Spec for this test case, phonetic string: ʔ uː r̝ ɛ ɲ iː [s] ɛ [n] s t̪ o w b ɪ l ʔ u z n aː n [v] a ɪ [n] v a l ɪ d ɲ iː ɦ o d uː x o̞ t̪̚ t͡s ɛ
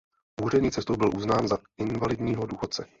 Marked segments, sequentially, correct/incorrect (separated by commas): incorrect, incorrect, incorrect, correct